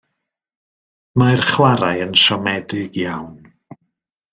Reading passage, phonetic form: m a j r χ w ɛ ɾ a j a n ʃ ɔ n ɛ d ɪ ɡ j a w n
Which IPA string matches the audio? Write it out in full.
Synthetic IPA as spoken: m a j r χ w a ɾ a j ə n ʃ ɔ m ɛ d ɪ ɡ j a w n